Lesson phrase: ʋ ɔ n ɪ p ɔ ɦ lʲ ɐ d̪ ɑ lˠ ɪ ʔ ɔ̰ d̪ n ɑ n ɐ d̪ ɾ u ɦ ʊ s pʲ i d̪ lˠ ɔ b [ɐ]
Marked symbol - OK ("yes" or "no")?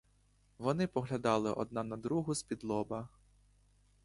yes